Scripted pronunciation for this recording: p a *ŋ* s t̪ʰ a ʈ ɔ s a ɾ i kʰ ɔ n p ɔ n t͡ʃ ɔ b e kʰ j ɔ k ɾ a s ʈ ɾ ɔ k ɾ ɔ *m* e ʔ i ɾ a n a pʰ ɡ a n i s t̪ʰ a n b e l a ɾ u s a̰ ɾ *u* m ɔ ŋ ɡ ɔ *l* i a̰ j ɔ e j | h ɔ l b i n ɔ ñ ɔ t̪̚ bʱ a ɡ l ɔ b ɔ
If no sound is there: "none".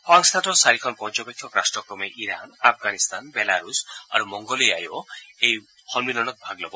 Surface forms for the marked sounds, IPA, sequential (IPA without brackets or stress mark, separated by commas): ŋ, m, u, l